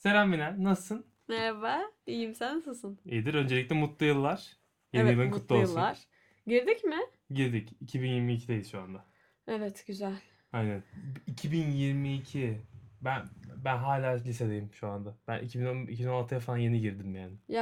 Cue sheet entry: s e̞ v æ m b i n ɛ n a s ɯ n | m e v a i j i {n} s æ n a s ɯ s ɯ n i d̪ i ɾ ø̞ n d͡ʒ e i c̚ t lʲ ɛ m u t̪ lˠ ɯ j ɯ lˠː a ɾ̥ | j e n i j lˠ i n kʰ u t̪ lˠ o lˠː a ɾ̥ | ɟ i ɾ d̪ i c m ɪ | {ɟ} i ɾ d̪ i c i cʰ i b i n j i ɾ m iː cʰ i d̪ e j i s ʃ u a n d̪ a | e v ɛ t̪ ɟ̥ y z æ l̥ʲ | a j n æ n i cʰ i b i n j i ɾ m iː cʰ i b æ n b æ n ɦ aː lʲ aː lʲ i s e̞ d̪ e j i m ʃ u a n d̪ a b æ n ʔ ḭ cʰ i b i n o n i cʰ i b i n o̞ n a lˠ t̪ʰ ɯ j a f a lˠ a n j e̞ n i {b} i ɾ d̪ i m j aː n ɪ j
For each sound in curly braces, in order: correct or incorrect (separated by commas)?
incorrect, correct, incorrect